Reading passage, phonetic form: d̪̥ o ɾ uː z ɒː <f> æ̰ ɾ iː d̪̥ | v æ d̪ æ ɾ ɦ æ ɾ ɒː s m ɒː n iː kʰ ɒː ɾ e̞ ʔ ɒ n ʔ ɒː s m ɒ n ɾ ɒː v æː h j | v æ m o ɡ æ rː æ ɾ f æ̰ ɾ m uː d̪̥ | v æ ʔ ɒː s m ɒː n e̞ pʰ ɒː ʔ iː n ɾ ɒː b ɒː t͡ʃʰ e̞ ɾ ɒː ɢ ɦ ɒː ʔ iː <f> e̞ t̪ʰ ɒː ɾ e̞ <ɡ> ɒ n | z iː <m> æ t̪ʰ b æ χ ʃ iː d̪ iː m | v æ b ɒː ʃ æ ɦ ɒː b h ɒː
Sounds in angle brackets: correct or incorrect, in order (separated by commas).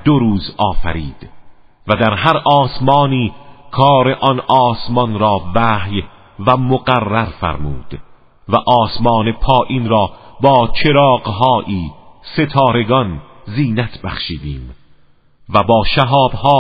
correct, incorrect, correct, incorrect